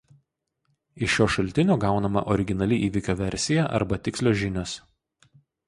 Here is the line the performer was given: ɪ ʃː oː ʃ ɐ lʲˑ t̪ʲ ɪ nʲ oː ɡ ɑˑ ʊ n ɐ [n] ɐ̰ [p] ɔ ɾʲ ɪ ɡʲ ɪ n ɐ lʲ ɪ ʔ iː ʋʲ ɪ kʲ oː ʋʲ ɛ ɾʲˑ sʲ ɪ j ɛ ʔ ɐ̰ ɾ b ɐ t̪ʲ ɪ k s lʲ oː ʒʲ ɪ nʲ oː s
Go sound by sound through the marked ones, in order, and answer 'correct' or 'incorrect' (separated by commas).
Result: incorrect, incorrect